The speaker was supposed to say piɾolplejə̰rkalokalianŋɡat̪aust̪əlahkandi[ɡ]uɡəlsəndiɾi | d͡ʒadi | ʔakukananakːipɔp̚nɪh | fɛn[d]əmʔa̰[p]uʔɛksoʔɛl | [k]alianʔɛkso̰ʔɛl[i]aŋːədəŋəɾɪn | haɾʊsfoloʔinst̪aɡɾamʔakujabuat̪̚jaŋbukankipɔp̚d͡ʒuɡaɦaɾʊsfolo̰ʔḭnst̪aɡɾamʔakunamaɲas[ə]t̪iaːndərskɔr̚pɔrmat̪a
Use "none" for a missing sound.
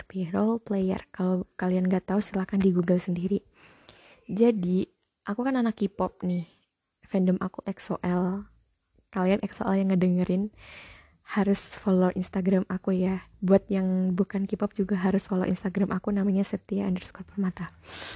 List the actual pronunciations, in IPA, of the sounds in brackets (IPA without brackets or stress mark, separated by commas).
ɡ, d, k, k, j, ə